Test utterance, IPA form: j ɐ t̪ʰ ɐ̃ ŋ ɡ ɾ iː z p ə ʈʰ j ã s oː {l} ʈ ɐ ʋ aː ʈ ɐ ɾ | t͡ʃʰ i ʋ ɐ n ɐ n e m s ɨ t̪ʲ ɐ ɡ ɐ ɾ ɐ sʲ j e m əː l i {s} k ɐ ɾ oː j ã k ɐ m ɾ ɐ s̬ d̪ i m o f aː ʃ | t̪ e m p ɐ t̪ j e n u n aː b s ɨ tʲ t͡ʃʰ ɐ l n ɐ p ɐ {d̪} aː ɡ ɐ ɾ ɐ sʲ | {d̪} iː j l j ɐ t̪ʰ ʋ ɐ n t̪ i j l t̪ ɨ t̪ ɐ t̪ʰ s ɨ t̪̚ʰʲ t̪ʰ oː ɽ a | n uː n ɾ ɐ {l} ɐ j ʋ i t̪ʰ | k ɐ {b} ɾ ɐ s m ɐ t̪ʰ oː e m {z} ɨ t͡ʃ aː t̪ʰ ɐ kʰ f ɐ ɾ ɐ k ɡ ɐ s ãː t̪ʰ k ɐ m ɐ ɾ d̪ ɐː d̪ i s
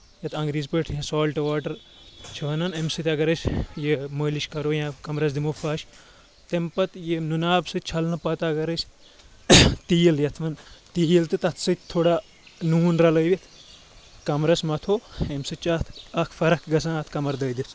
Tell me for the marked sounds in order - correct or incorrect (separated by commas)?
correct, incorrect, incorrect, incorrect, correct, incorrect, incorrect